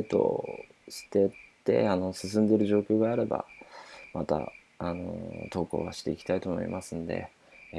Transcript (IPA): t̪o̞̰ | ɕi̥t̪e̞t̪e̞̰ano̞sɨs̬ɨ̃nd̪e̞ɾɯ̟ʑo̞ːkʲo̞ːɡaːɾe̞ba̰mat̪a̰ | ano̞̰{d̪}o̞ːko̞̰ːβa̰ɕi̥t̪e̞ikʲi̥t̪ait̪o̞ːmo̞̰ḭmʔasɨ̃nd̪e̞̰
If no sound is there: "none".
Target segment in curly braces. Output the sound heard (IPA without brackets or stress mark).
t̪